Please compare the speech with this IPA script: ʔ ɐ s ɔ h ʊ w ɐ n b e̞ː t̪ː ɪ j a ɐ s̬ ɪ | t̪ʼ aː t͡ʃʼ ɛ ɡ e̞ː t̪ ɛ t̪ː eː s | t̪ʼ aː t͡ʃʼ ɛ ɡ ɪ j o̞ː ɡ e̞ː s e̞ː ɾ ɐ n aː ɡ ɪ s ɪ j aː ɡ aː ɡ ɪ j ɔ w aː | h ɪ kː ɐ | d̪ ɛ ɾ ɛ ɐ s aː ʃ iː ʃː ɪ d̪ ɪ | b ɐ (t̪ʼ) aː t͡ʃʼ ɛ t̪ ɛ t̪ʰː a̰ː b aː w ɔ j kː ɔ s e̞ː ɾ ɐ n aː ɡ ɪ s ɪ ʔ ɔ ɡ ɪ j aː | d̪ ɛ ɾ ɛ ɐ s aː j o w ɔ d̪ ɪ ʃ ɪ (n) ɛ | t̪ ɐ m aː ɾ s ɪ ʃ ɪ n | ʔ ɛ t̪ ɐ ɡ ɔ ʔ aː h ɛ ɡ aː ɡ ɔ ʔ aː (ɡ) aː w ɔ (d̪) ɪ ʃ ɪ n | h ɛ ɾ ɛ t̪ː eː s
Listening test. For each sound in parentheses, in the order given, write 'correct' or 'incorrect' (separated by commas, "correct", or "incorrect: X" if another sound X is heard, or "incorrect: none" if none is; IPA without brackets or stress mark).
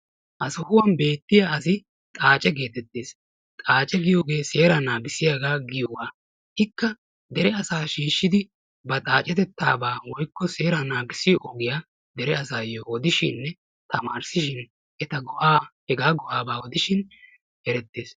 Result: correct, incorrect: nː, incorrect: b, correct